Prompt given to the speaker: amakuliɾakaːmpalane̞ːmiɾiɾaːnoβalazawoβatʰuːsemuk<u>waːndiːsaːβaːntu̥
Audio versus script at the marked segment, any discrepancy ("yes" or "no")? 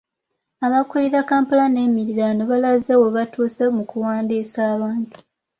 no